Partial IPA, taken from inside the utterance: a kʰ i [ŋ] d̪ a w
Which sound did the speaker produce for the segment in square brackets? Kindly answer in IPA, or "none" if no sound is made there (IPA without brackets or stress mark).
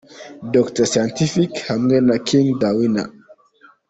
ŋ